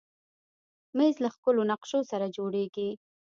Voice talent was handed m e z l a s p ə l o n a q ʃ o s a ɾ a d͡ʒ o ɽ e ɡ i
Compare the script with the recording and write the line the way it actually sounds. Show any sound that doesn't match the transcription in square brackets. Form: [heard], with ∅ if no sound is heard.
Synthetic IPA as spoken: m e z l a [x] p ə l o n a q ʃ o s a ɾ a d͡ʒ o ɽ e ɡ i

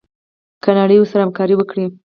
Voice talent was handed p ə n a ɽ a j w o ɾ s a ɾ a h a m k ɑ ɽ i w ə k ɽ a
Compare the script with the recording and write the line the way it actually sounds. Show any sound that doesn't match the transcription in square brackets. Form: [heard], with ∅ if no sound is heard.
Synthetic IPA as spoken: [k] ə n a ɽ [ə] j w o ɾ s a ɾ a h a m k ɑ [ɾ] i w ə k ɽ [i]

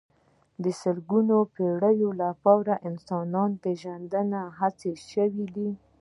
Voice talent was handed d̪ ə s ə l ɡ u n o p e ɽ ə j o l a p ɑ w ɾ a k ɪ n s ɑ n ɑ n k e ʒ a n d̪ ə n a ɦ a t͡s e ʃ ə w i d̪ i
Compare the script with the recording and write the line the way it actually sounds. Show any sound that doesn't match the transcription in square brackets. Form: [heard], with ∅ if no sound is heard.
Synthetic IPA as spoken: d̪ ə s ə l ɡ u n o p e ɽ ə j o l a p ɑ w ɾ a [ʔ] ɪ n s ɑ n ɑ n [p] e ʒ a n d̪ ə n a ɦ a t͡s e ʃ ə w i d̪ i

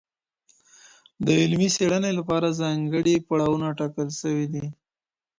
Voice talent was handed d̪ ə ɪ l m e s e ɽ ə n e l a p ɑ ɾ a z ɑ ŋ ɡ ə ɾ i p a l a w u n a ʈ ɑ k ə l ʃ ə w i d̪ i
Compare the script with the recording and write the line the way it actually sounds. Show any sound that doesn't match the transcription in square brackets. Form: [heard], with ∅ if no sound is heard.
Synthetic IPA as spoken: d̪ ə ɪ l m [i] s e ɽ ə n e l a p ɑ ɾ a z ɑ ŋ ɡ ə [ɽ] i p a [ɽ] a w u n a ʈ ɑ k ə l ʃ ə w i d̪ i

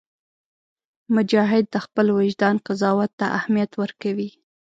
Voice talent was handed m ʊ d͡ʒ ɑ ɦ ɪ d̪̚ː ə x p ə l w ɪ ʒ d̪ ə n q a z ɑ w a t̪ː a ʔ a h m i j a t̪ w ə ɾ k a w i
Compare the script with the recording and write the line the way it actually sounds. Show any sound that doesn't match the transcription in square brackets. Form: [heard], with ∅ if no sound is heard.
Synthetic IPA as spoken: m ʊ d͡ʒ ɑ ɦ ɪ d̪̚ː ə x p ə l w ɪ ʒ d̪ [ɑ] n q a z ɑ w a t̪ː a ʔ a h m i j a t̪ w ə ɾ k a w i

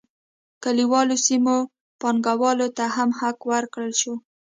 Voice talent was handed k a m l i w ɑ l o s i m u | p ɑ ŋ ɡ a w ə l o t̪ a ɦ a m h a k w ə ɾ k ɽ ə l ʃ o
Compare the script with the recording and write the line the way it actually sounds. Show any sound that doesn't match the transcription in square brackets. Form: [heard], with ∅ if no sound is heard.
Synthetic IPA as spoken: k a [∅] l i w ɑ l o s i m [o] | p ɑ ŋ ɡ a w [ɑ] l o t̪ a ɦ a m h a k w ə ɾ k ɽ ə l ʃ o

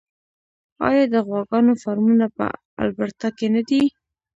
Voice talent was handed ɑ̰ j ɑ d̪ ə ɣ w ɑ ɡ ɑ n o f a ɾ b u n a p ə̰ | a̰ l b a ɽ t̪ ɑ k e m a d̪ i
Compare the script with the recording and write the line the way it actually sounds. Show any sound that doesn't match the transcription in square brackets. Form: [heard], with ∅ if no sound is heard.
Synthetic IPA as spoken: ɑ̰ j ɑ d̪ ə ɣ w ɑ ɡ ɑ n o f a ɾ [m] u n a p ə̰ | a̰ l b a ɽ t̪ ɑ k e [n] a d̪ i

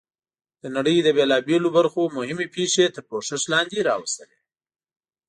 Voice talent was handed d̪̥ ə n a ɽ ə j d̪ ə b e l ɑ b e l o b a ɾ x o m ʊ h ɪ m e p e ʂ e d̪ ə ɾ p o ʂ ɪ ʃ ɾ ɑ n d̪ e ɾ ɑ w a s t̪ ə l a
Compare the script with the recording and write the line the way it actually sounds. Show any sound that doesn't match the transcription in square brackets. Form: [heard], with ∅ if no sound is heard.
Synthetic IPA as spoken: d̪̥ ə n a ɽ ə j d̪ ə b e l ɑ b e l o b a ɾ x o m ʊ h ɪ m e p e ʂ e [t̪] ə ɾ p o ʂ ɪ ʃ [l] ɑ n d̪ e ɾ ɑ w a s t̪ ə l [e]

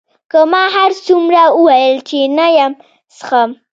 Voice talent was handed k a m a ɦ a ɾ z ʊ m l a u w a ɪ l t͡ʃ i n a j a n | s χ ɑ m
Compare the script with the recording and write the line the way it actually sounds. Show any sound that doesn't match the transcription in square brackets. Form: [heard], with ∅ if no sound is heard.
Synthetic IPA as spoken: k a m a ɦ a ɾ [s] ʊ m [ɾ] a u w a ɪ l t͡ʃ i n a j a [m] | s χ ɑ m

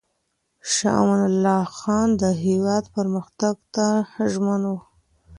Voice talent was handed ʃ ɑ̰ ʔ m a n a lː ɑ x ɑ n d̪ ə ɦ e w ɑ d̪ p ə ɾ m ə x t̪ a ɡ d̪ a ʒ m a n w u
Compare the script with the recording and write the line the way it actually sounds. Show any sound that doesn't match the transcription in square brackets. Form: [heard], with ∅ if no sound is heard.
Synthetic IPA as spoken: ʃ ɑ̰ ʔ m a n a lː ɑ x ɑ n d̪ ə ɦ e w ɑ d̪ p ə ɾ m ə x t̪ a ɡ [t̪] a ʒ m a n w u

